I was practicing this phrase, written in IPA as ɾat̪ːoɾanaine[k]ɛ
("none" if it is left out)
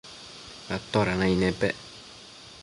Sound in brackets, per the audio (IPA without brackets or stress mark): p